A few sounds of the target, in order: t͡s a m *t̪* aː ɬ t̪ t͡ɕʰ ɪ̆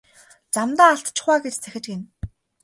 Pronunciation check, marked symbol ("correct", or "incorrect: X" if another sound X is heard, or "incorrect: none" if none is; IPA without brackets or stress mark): correct